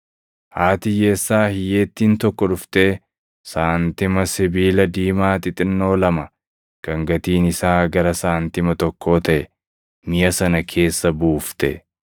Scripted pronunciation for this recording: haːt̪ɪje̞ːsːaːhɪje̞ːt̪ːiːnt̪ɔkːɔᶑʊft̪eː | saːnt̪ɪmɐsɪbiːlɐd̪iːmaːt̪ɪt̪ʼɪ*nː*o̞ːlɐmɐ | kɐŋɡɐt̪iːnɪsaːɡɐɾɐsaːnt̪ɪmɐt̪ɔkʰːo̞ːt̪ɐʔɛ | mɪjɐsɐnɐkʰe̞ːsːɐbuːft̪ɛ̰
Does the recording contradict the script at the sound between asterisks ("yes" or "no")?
no